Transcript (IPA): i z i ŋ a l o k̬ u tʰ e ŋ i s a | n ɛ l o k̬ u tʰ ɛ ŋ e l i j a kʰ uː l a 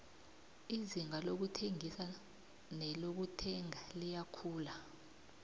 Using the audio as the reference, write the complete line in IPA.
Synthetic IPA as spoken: i z i ŋ a l o k̬ u tʰ e ŋ i s a | n ɛ l o k̬ u tʰ ɛ ŋ a l i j a kʰ uː l a